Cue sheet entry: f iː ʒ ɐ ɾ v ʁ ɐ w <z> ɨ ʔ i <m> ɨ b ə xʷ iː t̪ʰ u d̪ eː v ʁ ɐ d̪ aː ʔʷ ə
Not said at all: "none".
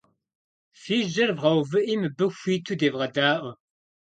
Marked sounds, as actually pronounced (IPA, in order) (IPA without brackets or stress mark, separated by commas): v, m